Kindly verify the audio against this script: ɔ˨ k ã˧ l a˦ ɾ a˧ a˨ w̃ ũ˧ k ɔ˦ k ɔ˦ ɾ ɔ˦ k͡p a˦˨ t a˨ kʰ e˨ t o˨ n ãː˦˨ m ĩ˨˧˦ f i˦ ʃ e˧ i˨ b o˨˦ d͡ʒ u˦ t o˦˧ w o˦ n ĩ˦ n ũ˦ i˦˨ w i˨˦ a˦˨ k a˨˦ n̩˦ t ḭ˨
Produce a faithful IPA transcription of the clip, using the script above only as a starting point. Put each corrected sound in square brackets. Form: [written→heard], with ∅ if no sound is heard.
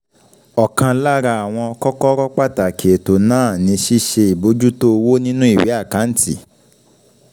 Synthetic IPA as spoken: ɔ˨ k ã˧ l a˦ ɾ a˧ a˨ w̃ [ũ˧→ɔ̃˧] k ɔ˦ k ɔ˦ ɾ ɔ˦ k͡p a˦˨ t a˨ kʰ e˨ t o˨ n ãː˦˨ [m→n] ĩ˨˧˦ [f→ʃ] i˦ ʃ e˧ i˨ b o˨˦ d͡ʒ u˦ t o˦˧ w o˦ n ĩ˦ n ũ˦ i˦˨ w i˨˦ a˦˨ k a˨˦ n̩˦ t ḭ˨